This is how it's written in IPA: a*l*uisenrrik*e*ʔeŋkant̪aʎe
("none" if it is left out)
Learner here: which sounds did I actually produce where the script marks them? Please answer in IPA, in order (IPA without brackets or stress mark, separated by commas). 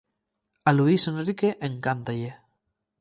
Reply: l, e